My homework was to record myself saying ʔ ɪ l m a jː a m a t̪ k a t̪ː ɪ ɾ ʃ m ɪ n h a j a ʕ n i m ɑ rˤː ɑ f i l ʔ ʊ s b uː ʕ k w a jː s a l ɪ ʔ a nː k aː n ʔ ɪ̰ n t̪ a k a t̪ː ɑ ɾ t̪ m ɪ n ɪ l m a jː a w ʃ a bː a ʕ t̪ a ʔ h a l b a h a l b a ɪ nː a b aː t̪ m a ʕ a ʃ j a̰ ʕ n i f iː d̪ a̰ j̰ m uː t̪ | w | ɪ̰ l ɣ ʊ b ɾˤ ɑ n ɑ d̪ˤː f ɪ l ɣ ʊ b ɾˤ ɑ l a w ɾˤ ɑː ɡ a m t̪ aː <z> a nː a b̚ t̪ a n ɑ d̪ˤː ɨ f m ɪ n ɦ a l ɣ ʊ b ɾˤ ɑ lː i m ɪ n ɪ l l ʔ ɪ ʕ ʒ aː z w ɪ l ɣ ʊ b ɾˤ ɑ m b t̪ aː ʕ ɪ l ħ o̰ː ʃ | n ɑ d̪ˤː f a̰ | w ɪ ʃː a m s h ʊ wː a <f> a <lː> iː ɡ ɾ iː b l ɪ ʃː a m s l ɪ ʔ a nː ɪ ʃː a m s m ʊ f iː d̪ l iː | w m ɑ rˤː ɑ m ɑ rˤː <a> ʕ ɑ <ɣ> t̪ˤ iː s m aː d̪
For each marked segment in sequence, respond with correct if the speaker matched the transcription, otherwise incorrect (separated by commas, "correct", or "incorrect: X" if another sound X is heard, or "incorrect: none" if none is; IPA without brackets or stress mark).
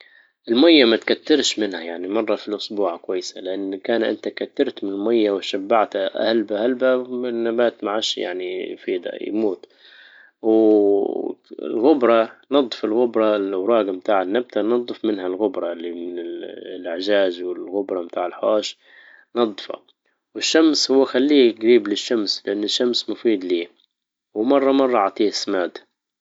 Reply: incorrect: ʕ, incorrect: x, correct, incorrect: ɑ, incorrect: ʕ